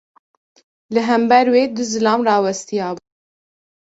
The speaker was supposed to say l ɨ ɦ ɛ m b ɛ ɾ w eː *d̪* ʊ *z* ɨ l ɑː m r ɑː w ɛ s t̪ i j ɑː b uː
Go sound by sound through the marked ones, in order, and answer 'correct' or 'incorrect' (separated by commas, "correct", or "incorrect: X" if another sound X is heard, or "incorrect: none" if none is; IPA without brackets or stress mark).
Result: correct, correct